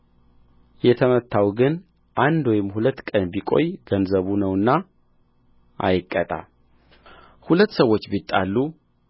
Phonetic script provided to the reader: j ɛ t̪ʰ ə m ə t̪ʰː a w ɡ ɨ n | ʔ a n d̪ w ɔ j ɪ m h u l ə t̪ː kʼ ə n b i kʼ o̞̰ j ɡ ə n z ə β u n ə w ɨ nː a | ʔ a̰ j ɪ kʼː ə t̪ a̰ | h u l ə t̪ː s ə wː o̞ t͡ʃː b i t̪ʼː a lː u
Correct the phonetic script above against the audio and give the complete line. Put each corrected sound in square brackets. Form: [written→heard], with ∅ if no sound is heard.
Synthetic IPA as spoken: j ɛ t̪ʰ ə m ə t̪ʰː a w ɡ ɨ n | ʔ a n d̪ w ɔ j ɪ m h u l ə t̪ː kʼ ə n b i kʼ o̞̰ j ɡ ə n z ə β u n ə w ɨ nː a | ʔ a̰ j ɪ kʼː ə [t̪→t̪ʼ] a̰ | h u l ə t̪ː s ə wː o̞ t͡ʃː b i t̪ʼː a lː u